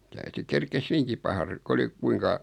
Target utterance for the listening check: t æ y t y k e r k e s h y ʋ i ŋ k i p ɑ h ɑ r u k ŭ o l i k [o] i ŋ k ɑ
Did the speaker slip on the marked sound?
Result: yes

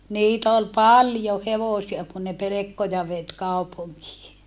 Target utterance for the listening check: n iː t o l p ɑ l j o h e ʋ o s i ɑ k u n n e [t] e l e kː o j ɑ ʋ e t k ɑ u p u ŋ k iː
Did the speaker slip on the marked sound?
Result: yes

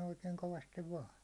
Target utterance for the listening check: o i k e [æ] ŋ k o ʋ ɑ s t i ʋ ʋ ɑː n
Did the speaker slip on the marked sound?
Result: yes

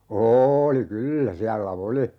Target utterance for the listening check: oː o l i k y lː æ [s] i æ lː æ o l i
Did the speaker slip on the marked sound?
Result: no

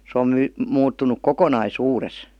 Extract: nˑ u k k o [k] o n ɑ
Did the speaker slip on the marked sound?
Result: no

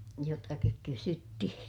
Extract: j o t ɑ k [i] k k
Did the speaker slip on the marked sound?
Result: no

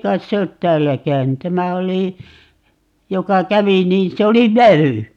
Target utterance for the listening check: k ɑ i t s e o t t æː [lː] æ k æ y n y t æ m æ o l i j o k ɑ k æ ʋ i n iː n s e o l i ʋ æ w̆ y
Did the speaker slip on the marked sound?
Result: no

